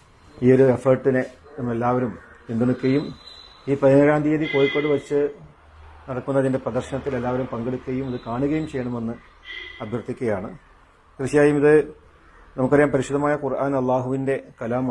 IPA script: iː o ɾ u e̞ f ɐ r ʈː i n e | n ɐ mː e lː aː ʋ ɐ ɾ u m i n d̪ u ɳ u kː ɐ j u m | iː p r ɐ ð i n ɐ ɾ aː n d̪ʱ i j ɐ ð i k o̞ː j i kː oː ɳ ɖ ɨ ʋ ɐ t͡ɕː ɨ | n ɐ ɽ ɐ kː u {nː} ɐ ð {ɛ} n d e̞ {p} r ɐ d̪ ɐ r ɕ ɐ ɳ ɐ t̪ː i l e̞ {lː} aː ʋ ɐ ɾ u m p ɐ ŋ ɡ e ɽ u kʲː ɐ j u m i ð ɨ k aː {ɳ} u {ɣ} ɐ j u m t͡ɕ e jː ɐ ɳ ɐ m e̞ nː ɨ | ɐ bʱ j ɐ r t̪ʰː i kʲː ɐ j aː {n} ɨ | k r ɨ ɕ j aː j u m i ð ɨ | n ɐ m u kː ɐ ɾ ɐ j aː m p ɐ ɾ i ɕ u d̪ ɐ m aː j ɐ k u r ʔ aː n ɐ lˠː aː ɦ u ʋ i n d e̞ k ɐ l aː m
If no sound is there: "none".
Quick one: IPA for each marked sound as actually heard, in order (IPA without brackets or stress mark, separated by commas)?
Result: nː, i, p, lː, ɳ, ɣ, ɳ